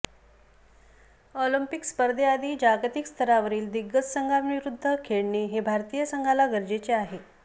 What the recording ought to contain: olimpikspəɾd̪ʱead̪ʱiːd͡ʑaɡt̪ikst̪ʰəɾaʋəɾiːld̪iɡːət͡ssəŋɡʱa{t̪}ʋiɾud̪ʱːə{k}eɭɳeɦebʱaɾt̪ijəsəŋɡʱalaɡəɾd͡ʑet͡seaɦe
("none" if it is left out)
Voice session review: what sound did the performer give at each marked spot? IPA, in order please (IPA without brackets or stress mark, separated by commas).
none, kʰ